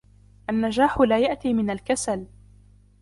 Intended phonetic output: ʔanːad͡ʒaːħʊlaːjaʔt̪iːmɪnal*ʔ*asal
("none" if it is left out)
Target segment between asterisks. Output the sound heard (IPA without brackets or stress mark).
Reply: k